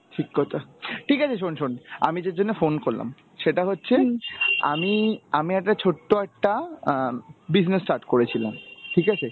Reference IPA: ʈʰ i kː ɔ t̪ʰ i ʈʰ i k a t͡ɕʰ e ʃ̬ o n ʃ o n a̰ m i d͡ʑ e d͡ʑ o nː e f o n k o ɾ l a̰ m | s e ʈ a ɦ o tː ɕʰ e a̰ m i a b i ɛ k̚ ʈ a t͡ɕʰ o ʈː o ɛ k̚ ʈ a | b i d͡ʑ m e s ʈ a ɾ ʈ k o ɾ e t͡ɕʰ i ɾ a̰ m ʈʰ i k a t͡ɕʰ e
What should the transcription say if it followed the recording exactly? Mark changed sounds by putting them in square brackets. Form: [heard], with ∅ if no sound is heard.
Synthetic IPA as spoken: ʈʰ i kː ɔ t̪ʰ [a] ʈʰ i k a t͡ɕʰ e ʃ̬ o n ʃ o n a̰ m i d͡ʑ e d͡ʑ o nː e f o n k o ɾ l a̰ m | [ʃ] e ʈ a ɦ o tː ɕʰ e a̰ m i a [m] i ɛ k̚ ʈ a t͡ɕʰ o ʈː o ɛ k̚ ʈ a | b i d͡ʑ [n] e s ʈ a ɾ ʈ k o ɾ e t͡ɕʰ i [l] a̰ m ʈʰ i k a t͡ɕʰ e